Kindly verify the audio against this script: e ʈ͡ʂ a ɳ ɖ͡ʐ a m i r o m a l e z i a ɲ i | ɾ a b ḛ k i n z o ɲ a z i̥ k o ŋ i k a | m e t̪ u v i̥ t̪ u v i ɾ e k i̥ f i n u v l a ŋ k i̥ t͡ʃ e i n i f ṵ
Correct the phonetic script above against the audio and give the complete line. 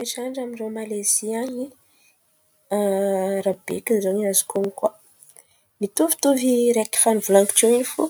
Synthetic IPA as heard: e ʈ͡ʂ a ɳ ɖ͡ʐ a m i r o m a l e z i a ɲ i | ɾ a b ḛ k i n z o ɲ a z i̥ k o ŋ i k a | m i t̪ u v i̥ t̪ u v i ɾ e k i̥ f a n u v l a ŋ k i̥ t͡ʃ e i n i f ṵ

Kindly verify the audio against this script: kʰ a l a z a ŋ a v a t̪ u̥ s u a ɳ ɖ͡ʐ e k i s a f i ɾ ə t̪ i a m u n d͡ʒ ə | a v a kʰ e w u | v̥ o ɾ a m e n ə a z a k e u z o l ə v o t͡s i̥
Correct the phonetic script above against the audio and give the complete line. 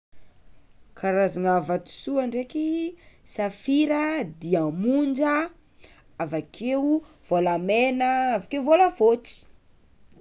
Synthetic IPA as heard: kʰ a ɾ a z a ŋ a v a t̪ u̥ s u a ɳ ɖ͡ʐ e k i s a f i ɾ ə d̪ i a m u n d͡ʒ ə | a v a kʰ e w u | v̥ o l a m e n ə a v a k e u v o l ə v o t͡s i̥

